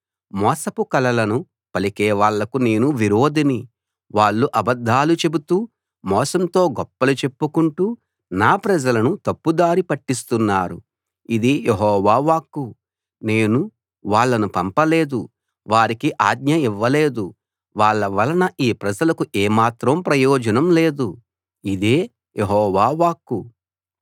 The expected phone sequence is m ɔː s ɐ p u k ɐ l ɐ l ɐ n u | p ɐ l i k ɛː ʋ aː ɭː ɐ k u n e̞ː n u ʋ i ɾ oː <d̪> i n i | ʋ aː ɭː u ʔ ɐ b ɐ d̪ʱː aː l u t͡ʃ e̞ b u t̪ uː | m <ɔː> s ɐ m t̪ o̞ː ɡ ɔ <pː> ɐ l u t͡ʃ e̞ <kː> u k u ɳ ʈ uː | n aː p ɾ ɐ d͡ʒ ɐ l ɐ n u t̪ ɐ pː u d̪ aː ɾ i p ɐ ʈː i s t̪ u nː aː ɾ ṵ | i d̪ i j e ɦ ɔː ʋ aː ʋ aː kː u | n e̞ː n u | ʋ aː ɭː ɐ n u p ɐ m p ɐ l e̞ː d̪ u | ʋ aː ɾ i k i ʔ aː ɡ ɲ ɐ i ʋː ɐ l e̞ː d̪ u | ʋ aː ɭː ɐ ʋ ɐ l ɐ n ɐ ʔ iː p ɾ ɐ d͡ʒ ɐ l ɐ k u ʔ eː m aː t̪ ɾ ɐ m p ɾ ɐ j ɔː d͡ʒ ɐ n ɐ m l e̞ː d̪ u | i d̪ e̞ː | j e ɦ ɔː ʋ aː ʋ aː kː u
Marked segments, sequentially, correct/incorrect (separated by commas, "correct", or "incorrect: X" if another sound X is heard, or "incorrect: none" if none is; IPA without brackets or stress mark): correct, correct, correct, incorrect: pː